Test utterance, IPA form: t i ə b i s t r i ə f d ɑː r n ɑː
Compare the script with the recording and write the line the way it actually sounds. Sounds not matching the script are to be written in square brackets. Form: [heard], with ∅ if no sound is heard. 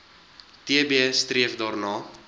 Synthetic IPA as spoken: t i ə b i s t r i ə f d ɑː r n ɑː